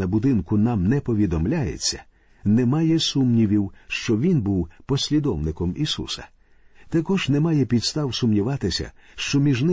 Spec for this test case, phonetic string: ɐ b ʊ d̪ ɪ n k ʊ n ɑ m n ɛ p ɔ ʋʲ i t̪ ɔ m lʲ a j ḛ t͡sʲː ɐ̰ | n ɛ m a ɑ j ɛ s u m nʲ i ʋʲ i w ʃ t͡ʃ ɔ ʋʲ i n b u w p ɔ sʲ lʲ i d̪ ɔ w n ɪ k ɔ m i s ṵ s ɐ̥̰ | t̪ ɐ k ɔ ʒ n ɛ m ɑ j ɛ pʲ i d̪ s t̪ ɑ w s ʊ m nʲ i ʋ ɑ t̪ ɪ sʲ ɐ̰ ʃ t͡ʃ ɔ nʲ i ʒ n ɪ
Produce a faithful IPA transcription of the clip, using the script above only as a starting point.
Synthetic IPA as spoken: ɐ b ʊ d̪ ɪ n k ʊ n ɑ m n ɛ p ɔ ʋʲ i d̪ ɔ m lʲ a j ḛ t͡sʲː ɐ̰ | n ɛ m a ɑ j ɛ s u m nʲ i ʋʲ i w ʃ t͡ʃ ɔ ʋʲ i n b u w p ɔ sʲ lʲ i d̪ ɔ w n ɪ k ɔ m i s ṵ s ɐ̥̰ | t̪ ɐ k ɔ ʒ n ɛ m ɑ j ɛ pʲ i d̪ s t̪ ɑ w s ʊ m nʲ i ʋ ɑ t̪ ɪ sʲ ɐ̰ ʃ t͡ʃ ɔ mʲ i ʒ n ɪ